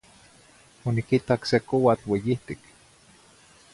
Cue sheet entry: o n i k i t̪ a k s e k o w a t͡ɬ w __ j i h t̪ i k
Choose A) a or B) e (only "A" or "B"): B